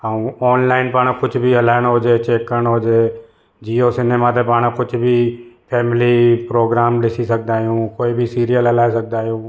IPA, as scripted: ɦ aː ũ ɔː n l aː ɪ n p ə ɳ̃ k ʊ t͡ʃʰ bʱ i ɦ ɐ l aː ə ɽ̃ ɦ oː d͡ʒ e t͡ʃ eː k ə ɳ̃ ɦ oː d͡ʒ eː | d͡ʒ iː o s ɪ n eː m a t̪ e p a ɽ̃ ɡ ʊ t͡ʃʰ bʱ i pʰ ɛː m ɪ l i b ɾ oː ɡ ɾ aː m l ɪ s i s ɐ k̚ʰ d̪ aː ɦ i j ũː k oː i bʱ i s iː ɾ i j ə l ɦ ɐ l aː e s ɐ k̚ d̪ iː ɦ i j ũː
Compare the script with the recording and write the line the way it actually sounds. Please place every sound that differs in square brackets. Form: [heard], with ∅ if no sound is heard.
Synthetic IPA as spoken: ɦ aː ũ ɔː n l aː ɪ n p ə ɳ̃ k ʊ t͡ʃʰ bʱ i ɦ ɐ l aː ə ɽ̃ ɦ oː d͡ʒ e t͡ʃ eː k ə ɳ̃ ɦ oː d͡ʒ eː | d͡ʒ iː o s ɪ n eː m a t̪ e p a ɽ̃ [k] ʊ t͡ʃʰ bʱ i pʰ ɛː m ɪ l i [p] ɾ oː ɡ ɾ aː m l ɪ s i s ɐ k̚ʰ d̪ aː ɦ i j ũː k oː i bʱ i s iː ɾ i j ə l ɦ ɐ l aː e s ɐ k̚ d̪ [aː] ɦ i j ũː